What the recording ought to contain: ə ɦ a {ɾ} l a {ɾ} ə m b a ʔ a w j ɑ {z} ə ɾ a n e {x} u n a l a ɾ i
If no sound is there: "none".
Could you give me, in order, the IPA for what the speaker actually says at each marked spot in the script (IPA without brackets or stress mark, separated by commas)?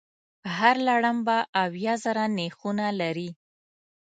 ɾ, ɽ, z, x